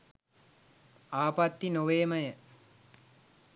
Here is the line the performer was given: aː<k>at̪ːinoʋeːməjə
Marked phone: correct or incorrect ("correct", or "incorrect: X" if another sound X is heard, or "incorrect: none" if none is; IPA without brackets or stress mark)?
incorrect: p